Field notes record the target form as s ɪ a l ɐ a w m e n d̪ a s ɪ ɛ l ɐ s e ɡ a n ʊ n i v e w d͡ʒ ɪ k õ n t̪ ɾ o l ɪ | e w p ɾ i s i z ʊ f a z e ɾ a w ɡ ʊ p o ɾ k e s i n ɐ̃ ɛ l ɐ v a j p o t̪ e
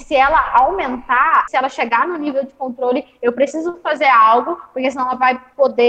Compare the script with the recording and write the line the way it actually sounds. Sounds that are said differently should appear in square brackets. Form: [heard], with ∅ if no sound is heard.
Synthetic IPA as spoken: s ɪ [ɛ] l ɐ a w m [ẽ] n [t̪] a s ɪ ɛ l ɐ [ʃ] e ɡ a n ʊ n i v e w d͡ʒ ɪ k õ n t̪ ɾ o l ɪ | e w p ɾ [e] s i z ʊ f a z e ɾ a w ɡ ʊ p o ɾ k e s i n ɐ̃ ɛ l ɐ v a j p o [d̪] e